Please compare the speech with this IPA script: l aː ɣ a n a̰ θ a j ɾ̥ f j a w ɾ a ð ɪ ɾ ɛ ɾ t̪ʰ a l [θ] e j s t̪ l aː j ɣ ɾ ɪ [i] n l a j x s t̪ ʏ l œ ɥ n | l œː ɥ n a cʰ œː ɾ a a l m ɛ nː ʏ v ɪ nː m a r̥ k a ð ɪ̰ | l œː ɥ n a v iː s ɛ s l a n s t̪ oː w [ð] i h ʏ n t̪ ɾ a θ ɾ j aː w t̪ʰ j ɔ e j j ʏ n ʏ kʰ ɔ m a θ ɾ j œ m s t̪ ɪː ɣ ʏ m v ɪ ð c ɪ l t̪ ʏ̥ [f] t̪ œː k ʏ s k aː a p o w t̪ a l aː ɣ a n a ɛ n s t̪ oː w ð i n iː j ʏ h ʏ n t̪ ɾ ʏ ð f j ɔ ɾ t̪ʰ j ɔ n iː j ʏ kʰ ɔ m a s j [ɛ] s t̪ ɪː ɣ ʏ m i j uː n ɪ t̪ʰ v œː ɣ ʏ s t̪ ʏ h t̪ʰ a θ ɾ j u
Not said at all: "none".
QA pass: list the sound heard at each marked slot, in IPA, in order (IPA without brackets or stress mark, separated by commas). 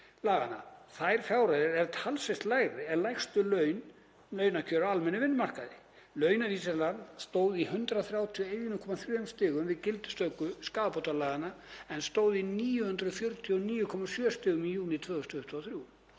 s, ɛ, ð, s, œ